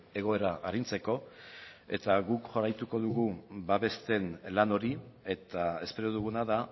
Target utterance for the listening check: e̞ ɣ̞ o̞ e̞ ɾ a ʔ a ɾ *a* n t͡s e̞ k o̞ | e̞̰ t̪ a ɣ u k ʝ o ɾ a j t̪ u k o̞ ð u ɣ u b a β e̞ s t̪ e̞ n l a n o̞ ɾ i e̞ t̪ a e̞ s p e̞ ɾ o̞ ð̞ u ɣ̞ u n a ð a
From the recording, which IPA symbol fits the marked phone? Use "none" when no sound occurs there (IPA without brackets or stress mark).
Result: i